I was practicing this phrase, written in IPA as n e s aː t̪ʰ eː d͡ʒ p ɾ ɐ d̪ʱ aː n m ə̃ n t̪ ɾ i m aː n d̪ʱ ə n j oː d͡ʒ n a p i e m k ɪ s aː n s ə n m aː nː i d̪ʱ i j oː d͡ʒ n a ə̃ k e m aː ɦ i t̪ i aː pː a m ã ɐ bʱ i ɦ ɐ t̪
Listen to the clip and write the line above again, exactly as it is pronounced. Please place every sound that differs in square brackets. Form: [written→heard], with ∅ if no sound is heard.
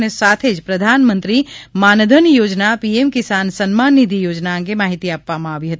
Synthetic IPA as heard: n e s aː t̪ʰ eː d͡ʒ p ɾ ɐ d̪ʱ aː n m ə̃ n t̪ ɾ i m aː n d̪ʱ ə n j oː d͡ʒ n a p i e m k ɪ s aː n s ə n m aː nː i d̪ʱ i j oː d͡ʒ n a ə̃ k e m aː ɦ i t̪ i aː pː a m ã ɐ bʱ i ɦ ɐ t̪